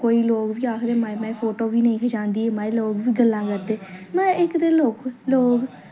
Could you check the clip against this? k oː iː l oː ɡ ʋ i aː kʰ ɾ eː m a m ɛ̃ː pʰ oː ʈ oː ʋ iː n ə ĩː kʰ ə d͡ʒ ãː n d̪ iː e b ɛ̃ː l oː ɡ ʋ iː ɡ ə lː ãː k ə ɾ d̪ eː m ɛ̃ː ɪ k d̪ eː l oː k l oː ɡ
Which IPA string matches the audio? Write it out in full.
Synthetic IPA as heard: k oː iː l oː ɡ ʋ iː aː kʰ ɾ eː m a m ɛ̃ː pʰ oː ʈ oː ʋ iː n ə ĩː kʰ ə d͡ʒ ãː n d̪ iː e m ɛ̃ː l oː ɡ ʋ iː ɡ ə lː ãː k ə ɾ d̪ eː m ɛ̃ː ɪ k d̪ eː l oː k l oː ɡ